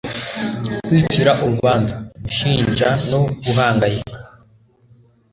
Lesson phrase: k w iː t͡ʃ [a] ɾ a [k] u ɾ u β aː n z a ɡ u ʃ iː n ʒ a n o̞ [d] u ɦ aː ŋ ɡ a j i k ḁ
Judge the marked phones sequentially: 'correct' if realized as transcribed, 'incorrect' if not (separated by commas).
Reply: incorrect, incorrect, incorrect